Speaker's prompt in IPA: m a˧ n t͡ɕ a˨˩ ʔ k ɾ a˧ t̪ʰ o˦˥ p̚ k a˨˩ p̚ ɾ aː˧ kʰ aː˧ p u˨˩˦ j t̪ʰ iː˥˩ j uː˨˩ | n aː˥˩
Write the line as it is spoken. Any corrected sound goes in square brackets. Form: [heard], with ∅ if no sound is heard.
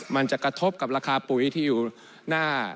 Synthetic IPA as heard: m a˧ n t͡ɕ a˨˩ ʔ k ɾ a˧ t̪ʰ o˦˥ p̚ k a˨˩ p̚ ɾ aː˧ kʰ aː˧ p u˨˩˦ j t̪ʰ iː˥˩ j uː˨˩ | n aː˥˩